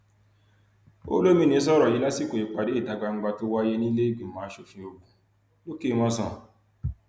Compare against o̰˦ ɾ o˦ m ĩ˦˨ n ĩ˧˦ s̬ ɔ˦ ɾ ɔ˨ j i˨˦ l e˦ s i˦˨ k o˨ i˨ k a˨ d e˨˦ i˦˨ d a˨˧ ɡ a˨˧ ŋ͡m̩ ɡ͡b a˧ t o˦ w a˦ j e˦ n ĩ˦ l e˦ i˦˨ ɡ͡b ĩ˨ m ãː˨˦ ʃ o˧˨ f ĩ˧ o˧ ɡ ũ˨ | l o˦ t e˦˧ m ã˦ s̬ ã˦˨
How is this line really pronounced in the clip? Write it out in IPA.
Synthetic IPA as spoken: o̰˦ l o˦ m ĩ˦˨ n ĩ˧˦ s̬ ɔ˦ ɾ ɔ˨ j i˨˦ l a˦ s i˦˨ k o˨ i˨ k͡p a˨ d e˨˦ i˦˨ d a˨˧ ɡ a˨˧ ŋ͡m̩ ɡ͡b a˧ t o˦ w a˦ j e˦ n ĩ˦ l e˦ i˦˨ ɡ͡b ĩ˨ m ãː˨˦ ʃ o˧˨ f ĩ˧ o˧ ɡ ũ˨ | l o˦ k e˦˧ m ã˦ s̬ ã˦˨